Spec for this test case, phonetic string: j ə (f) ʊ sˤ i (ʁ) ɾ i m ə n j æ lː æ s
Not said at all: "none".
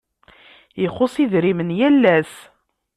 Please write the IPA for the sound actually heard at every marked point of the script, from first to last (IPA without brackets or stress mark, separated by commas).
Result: χ, ð